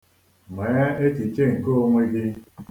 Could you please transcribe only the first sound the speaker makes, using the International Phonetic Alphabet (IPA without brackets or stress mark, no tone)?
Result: m